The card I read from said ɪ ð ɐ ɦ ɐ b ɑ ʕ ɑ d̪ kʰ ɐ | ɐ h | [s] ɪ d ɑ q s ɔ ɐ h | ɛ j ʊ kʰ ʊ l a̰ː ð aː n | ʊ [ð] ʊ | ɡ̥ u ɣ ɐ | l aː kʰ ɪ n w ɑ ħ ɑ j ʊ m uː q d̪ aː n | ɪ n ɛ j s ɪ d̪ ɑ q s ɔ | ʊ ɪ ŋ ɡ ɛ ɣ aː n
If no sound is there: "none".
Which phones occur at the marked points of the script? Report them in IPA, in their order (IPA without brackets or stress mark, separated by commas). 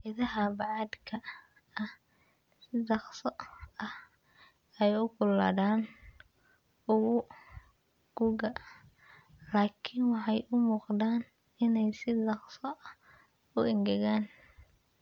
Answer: s, ɣ